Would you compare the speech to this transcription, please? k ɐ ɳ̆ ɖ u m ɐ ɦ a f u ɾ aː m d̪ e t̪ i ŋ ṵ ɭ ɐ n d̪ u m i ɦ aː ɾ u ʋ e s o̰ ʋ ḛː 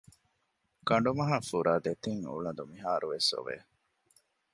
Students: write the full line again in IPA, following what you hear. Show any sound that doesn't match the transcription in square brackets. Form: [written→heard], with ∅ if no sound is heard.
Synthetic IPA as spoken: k ɐ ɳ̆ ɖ u m ɐ ɦ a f u ɾ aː [m→∅] d̪ e t̪ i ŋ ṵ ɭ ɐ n d̪ u m i ɦ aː ɾ u ʋ e s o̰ ʋ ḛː

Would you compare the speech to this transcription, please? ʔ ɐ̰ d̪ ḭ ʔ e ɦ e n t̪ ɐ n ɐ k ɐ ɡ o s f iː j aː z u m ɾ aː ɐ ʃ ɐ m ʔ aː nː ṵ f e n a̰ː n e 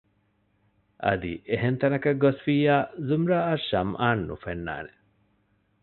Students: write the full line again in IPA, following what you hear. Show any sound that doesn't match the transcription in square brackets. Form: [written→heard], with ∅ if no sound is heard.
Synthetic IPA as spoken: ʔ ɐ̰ d̪ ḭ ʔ e ɦ e n t̪ ɐ n ɐ k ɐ ɡ o s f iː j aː z u m ɾ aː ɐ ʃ ɐ m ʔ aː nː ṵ f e [n→nː] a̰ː n e

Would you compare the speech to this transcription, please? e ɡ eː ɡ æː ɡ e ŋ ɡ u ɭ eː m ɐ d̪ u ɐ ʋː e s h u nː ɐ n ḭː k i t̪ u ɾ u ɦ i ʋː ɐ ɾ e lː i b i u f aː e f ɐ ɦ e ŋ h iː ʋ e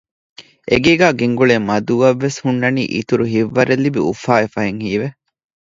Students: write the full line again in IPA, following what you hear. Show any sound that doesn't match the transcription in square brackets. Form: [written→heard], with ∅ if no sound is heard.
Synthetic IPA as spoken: e ɡ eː ɡ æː ɡ e ŋ ɡ u ɭ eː m ɐ d̪ u ɐ ʋː e s h u nː ɐ n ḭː [k→ʔ] i t̪ u ɾ u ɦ i ʋː ɐ ɾ e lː i b i u f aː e f ɐ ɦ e ŋ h iː ʋ e

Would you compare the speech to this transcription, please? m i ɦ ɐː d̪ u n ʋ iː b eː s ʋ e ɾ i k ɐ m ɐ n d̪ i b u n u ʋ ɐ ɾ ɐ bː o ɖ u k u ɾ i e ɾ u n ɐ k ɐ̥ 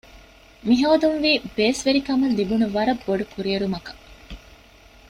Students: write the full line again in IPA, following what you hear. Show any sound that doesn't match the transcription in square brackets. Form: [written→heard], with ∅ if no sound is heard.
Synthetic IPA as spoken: m i ɦ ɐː d̪ u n ʋ iː b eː s ʋ e ɾ i k ɐ m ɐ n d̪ i b u n u ʋ ɐ ɾ ɐ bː o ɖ u k u ɾ i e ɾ u [n→m] ɐ k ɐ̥

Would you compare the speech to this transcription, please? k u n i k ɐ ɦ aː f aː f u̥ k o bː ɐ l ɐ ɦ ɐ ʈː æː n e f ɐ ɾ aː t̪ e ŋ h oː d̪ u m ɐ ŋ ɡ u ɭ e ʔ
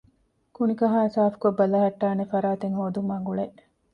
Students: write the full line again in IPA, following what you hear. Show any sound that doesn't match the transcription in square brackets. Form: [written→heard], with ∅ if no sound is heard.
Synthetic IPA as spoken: k u n i k ɐ ɦ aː [f→s] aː f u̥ k o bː ɐ l ɐ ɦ ɐ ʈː [æː→aː] n e f ɐ ɾ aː t̪ e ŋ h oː d̪ u m ɐ ŋ ɡ u ɭ e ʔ

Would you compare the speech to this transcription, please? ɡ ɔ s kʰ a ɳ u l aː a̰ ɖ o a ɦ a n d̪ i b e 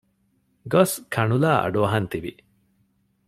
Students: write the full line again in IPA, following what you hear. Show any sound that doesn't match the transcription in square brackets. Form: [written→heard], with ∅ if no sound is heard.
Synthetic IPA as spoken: ɡ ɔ s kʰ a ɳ u l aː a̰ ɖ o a ɦ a n [d̪→t̪] i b [e→i]

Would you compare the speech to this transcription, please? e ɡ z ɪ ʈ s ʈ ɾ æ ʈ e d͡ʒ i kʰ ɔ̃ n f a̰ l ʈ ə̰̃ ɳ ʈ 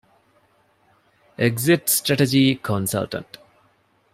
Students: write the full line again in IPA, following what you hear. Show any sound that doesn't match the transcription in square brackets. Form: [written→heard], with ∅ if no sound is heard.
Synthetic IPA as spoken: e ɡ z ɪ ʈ s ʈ ɾ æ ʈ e d͡ʒ i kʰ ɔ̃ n [f→s] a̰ l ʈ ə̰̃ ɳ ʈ

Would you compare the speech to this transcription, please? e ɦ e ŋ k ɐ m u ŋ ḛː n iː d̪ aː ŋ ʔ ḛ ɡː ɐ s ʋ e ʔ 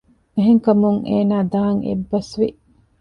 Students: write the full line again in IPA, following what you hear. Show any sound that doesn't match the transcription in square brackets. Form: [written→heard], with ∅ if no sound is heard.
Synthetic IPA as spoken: e ɦ e ŋ k ɐ m u ŋ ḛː n [iː→aː] d̪ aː ŋ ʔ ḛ [ɡː→bː] ɐ s ʋ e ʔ

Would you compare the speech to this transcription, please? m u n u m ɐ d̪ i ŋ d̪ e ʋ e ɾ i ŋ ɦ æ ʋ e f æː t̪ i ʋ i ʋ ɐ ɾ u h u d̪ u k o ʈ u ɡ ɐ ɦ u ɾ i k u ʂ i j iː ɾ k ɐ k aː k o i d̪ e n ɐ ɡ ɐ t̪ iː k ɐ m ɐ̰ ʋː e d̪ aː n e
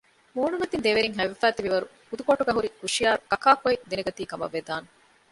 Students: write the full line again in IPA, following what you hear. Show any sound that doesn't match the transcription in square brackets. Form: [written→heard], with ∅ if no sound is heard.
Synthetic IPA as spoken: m [u→uː] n u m ɐ [d̪→t̪] i [ŋ→n] d̪ e ʋ e ɾ i ŋ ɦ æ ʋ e f æː t̪ i ʋ i ʋ ɐ ɾ u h u d̪ u k o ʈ u ɡ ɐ ɦ u ɾ i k u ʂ i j [iː→aː] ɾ k ɐ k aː k o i d̪ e n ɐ ɡ ɐ t̪ iː k ɐ m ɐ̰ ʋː e d̪ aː n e

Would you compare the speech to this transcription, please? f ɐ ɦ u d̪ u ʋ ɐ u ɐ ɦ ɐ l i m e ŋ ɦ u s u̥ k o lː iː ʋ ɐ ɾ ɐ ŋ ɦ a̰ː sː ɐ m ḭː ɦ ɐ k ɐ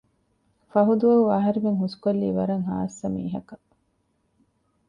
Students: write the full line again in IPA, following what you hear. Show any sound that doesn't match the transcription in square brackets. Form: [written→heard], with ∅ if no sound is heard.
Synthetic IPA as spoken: f ɐ ɦ u d̪ u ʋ ɐ u ɐ ɦ ɐ [l→ɾ] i m e ŋ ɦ u s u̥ k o lː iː ʋ ɐ ɾ ɐ ŋ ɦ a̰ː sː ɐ m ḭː ɦ ɐ k ɐ

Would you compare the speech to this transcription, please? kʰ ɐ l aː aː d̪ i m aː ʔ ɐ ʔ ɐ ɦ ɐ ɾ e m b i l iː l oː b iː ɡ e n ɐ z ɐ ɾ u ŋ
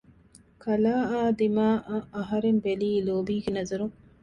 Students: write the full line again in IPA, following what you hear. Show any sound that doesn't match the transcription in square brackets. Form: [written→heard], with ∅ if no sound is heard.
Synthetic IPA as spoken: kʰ ɐ l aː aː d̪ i m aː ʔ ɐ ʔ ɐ ɦ ɐ ɾ e m b [i→e] l iː l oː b iː ɡ e n ɐ z ɐ ɾ u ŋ

